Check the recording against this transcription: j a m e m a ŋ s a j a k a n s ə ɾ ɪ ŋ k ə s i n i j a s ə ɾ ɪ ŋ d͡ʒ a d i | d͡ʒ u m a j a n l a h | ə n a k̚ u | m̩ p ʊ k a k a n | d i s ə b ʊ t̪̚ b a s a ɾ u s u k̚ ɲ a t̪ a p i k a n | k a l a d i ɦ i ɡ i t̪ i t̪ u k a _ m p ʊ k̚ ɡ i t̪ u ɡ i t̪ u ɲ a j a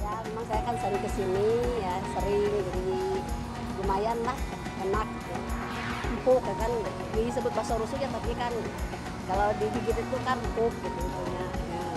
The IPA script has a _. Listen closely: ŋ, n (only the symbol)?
n